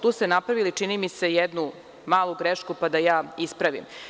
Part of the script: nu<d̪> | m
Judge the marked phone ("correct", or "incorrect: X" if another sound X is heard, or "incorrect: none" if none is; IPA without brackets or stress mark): incorrect: none